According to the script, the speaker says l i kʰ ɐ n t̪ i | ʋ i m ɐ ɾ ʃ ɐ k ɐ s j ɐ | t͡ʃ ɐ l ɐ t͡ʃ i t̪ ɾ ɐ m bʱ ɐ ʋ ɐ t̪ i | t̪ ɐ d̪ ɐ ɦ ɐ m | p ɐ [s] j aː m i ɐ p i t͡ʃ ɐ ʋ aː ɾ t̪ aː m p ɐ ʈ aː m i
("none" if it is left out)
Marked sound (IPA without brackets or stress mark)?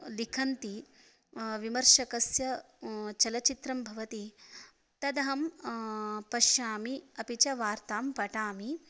ʃ